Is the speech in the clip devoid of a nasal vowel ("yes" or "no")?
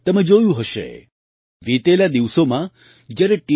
no